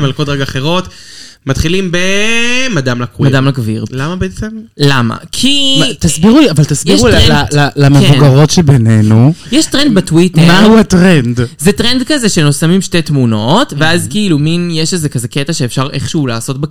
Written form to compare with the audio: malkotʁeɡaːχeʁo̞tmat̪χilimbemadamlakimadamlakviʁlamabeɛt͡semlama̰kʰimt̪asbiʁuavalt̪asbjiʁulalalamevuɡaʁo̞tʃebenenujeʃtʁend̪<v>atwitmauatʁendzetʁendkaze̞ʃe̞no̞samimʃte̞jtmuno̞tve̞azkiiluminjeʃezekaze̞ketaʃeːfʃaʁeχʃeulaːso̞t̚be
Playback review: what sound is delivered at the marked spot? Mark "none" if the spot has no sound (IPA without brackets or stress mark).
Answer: b